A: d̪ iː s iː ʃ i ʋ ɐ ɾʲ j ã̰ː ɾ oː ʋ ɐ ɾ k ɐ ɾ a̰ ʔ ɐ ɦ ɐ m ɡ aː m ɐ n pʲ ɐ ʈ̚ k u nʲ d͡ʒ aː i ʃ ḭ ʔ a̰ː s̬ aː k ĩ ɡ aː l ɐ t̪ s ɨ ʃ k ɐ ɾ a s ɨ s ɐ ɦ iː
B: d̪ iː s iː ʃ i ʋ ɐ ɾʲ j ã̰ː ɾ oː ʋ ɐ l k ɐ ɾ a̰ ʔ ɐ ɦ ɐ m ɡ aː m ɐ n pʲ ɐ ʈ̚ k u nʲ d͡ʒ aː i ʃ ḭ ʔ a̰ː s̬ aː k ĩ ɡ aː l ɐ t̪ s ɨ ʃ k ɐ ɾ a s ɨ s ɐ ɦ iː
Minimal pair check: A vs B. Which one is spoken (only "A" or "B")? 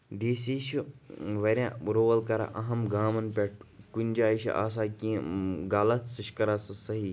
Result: B